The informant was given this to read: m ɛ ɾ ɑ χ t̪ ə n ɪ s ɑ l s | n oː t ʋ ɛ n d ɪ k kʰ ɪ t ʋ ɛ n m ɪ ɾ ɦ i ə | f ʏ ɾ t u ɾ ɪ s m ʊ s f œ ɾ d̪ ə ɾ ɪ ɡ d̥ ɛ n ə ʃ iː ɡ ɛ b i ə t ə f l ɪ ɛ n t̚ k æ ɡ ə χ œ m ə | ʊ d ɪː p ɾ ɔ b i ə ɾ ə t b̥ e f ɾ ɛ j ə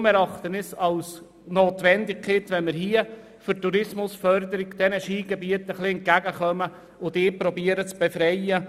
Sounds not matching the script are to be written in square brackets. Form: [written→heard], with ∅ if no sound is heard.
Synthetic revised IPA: m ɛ ɾ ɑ χ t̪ ə n ɪ s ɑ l s | n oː t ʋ ɛ n d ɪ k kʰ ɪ t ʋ ɛ n m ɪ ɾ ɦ i ə | f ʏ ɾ t u ɾ ɪ s m ʊ s f œ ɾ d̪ ə ɾ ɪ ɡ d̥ ɛ n ə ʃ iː ɡ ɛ b i ə t ə [f→χ] l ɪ ɛ n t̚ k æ ɡ ə χ œ m ə | ʊ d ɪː p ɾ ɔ b i ə ɾ ə [t→t͡s] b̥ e f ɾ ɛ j ə